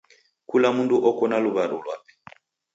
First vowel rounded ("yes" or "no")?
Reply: yes